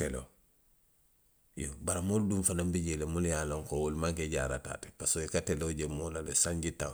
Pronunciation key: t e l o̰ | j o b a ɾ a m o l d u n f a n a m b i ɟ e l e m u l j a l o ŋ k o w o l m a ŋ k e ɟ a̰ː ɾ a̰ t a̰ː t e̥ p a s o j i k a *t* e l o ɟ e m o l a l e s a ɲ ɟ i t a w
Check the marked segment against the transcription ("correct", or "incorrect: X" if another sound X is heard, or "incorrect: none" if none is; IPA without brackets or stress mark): correct